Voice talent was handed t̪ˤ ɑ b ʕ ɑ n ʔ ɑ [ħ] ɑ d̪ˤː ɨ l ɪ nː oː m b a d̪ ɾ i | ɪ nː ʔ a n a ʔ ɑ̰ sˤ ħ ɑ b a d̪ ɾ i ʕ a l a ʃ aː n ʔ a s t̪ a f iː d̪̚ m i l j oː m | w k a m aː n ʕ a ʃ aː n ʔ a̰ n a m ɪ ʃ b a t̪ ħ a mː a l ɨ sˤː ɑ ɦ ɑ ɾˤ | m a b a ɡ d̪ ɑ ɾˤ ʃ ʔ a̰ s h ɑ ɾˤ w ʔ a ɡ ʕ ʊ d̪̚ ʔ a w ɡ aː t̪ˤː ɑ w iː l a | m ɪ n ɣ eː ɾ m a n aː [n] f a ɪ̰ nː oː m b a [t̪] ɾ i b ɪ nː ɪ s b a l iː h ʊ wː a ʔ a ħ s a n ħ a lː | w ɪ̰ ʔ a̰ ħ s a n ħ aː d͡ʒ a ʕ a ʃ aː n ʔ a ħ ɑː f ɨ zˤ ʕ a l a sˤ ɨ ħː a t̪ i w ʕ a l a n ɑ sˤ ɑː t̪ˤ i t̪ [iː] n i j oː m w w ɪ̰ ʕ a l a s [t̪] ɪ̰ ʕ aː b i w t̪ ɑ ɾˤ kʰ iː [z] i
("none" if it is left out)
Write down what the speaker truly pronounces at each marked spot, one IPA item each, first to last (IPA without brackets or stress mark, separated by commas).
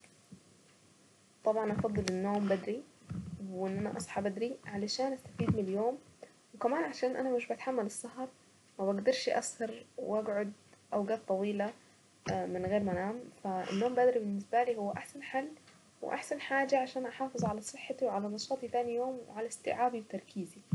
f, m, d̪, aː, t̪, z